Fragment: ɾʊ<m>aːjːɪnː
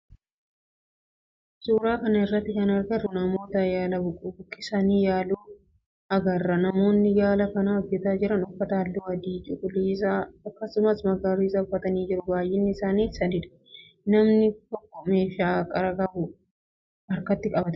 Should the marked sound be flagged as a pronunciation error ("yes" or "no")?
yes